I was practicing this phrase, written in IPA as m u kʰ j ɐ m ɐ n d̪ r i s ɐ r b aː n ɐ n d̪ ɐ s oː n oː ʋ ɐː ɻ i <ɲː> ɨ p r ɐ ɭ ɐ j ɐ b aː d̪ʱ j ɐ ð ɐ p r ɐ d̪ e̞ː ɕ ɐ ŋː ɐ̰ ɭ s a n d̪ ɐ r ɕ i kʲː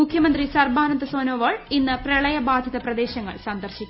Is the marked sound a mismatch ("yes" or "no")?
yes